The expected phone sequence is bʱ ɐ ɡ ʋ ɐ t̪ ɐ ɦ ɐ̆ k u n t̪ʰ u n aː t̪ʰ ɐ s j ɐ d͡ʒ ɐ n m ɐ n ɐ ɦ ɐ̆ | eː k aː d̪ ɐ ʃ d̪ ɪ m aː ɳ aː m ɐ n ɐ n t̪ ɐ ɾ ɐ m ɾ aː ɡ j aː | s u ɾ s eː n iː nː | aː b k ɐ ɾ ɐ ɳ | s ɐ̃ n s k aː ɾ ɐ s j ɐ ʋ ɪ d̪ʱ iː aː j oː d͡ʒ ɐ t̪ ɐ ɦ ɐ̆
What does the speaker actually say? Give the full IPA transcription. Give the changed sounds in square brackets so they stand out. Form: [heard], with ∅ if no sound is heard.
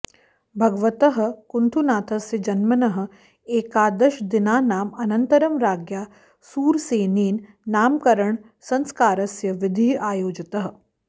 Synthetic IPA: bʱ ɐ ɡ ʋ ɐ t̪ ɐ ɦ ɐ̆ k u n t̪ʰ u n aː t̪ʰ ɐ s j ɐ d͡ʒ ɐ n m ɐ n ɐ ɦ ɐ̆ | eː k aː d̪ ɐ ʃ d̪ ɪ [n] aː [n] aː m ɐ n ɐ n t̪ ɐ ɾ ɐ m ɾ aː ɡ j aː | s [uː] ɾ s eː n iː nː | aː [m] k ɐ ɾ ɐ ɳ | s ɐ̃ n s k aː ɾ ɐ s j ɐ ʋ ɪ d̪ʱ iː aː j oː d͡ʒ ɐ t̪ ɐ ɦ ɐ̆